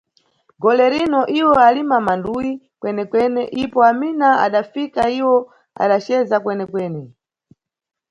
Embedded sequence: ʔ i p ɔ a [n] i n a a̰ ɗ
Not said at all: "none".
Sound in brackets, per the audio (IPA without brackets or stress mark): m